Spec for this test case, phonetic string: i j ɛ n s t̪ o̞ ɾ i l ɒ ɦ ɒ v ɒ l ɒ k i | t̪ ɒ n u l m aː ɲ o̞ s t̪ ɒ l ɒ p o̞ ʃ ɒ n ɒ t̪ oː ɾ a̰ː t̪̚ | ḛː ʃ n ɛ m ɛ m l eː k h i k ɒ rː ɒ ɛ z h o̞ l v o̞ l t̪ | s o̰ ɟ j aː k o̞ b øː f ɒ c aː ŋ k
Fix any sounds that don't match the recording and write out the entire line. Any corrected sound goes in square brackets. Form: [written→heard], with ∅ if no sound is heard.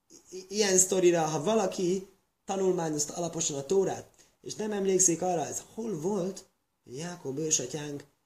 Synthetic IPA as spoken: i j ɛ n s t̪ o̞ ɾ i [l→ɾ] ɒ ɦ ɒ v ɒ l ɒ k i | t̪ ɒ n u l m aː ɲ o̞ s t̪ ɒ l ɒ p o̞ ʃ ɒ n ɒ t̪ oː ɾ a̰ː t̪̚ | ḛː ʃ n ɛ m ɛ m l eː k [h→s] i k ɒ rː ɒ ɛ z h o̞ l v o̞ l t̪ | [s→h] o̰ ɟ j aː k o̞ b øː [f→ʃ] ɒ c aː ŋ k